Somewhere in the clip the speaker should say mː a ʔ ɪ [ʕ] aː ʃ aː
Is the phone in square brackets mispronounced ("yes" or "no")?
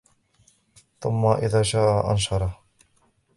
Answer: yes